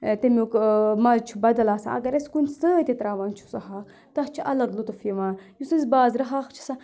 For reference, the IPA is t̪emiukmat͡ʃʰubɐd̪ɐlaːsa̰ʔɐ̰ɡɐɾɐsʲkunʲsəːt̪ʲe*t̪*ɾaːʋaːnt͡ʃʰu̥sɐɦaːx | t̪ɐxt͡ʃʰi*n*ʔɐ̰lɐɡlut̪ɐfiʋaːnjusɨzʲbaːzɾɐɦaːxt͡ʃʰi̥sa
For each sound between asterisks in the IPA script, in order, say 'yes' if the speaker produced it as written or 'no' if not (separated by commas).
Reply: yes, no